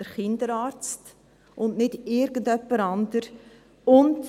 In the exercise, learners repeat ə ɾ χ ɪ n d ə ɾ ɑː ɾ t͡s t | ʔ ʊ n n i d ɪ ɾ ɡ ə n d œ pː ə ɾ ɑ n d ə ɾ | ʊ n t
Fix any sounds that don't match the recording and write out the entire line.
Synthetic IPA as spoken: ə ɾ χ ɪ n d ə ɾ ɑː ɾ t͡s t | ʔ ʊ n n ɪ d ɪ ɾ ɡ ə n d œ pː ə ɾ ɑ n d ə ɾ | ʊ n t